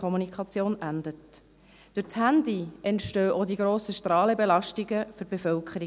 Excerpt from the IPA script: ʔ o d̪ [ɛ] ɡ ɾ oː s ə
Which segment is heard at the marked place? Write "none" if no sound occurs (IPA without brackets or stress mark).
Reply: i